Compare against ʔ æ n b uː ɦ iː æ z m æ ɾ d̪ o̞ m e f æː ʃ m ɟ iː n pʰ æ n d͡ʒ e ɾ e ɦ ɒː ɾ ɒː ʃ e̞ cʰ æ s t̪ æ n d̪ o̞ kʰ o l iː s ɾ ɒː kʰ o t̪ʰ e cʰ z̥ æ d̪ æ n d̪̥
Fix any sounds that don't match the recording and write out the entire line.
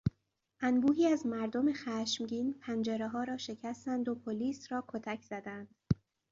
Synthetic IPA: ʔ æ n b uː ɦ iː æ z m æ ɾ d̪ o̞ m e x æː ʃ m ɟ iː n pʰ æ n d͡ʒ e ɾ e ɦ ɒː ɾ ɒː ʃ e̞ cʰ æ s t̪ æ n d̪ o̞ pʰ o l iː s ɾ ɒː kʰ o t̪ʰ æ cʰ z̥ æ d̪ æ n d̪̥